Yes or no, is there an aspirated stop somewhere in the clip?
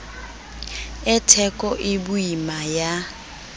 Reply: yes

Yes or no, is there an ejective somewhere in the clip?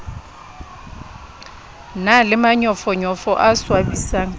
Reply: no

